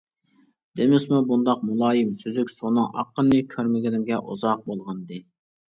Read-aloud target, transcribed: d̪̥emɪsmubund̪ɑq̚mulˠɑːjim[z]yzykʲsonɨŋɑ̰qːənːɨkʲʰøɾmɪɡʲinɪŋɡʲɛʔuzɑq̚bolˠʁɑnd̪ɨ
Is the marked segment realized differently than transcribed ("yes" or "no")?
yes